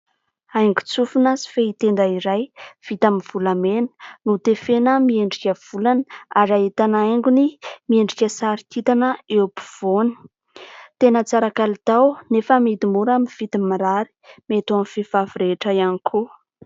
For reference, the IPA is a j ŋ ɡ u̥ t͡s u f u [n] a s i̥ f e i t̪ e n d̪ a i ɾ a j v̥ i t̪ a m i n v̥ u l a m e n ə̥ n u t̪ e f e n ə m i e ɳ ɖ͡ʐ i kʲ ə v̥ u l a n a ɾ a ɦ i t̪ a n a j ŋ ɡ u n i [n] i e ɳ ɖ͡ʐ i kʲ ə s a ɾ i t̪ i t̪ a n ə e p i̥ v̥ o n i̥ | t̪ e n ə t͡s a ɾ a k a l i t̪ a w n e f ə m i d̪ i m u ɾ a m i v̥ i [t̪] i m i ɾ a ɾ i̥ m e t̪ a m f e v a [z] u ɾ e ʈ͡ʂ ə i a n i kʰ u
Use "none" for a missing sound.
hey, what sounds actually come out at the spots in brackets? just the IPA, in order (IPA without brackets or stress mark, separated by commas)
n, m, t̪, v